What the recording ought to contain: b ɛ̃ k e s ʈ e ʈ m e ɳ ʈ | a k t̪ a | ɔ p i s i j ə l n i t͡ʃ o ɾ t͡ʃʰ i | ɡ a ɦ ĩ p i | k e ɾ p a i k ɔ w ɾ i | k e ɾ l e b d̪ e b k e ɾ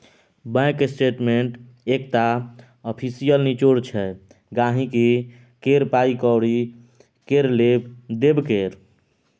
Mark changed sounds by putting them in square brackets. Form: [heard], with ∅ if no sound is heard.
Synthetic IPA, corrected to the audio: b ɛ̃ k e s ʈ e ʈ m e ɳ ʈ | [e] k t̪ a | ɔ [pʰ] i s i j ə l n i t͡ʃ o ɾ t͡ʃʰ [ɛ] | ɡ a ɦ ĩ [k] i | k e ɾ p a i k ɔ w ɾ i | k e ɾ l e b d̪ e b k e ɾ